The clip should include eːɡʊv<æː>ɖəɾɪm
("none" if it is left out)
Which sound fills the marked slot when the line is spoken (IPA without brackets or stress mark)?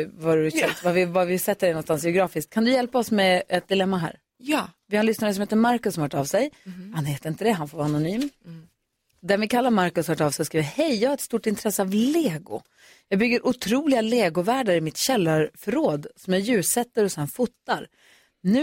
æː